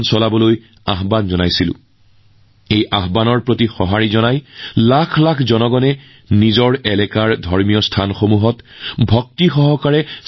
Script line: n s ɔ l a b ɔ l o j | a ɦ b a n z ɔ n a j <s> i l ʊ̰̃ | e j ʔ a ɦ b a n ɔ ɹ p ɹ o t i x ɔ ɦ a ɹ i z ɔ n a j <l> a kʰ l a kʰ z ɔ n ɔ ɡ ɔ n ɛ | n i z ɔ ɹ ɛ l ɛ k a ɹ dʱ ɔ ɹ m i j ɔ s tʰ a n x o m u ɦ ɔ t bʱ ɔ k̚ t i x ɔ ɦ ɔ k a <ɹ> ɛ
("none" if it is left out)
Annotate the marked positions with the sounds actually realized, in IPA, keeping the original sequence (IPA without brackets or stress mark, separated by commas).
s, l, ɹ